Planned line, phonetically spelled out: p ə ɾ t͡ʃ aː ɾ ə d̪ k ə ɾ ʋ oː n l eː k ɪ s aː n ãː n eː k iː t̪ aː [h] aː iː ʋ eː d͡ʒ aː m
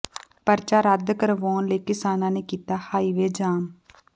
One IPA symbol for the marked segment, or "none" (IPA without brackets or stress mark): h